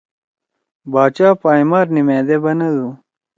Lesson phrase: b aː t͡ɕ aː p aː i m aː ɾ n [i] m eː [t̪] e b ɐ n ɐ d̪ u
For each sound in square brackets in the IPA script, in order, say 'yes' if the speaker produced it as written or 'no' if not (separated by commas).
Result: yes, no